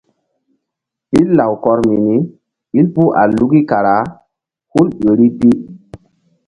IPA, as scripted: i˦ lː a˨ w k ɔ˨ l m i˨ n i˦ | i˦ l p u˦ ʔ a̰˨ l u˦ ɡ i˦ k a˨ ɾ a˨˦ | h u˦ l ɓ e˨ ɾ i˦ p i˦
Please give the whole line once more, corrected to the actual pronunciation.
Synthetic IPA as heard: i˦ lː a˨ w k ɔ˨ ɾ m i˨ n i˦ | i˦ l p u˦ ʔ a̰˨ l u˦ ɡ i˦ k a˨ ɾ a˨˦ | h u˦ l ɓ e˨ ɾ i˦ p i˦